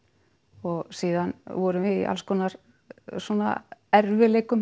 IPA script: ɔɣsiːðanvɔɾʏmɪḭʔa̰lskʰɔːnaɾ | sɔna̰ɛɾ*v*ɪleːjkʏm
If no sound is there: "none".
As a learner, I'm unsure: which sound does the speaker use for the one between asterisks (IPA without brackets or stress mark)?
v